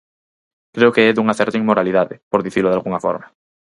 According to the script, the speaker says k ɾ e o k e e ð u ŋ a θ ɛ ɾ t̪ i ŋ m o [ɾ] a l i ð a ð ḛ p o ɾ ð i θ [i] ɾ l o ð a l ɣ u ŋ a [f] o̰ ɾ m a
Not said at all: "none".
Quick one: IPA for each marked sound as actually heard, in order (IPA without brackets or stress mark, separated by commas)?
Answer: ɾ, i, f